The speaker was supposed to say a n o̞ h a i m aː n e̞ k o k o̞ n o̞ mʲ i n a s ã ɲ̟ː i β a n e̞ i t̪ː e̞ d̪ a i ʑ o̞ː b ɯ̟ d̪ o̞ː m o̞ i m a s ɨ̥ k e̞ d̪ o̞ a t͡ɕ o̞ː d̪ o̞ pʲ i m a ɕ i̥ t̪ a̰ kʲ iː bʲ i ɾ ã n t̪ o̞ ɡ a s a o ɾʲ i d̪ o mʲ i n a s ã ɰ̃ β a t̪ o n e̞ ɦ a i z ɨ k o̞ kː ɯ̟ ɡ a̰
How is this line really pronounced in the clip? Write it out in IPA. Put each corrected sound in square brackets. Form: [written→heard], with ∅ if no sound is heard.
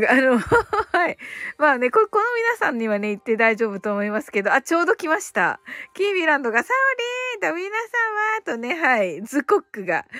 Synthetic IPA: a n o̞ h a i m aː n e̞ k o k o̞ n o̞ mʲ i n a s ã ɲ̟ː i β a n e̞ i t̪ː e̞ d̪ a i ʑ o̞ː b ɯ̟ [d̪→t̪] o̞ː m o̞ i m a s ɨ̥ k e̞ d̪ o̞ a t͡ɕ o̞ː d̪ o̞ [pʲ→kʲ] i m a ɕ i̥ t̪ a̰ kʲ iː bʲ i ɾ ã n [t̪→d̪] o̞ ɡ a s a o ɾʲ i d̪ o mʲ i n a s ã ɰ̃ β a t̪ o n e̞ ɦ a i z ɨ k o̞ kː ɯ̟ ɡ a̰